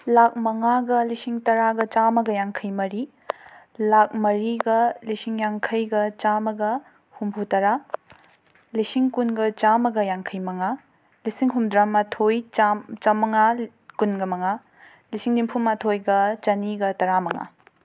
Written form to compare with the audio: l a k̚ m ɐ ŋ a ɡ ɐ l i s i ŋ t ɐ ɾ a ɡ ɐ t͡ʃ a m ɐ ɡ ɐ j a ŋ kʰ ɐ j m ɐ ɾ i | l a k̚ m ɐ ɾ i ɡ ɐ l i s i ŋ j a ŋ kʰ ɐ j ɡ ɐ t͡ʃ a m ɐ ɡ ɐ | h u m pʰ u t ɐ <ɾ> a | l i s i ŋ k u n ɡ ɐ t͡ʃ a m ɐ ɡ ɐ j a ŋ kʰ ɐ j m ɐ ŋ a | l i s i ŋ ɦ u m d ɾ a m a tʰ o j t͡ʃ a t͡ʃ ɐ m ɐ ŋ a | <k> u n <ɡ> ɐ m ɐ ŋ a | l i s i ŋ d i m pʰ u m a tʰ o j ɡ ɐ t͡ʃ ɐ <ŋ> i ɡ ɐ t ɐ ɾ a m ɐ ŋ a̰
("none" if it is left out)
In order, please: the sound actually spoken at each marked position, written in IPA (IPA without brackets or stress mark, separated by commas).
ɾ, k, ɡ, n